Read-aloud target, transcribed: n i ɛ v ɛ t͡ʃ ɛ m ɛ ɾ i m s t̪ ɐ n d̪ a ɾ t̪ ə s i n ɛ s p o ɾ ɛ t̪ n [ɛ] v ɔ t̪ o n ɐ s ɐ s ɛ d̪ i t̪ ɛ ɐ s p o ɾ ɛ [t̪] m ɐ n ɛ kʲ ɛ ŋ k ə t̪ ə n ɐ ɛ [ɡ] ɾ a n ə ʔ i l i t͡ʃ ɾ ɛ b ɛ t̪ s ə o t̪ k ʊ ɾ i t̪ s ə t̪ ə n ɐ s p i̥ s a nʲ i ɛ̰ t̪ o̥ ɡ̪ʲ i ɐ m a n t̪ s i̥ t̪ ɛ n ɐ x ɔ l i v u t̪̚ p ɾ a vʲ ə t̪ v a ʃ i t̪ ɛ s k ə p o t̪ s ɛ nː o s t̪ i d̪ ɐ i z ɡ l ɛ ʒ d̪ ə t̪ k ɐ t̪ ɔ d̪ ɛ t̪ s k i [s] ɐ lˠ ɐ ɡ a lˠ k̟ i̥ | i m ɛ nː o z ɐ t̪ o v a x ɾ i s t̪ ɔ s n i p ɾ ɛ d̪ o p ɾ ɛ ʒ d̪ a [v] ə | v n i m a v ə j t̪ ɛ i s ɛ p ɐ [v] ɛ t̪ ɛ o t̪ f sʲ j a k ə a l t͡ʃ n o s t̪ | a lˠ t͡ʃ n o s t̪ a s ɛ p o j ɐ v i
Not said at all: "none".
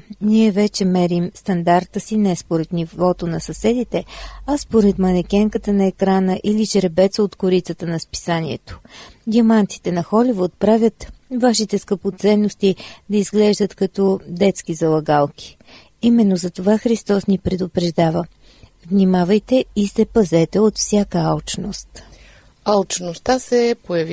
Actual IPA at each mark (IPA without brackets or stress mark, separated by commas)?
i, t̪, k, z, v, z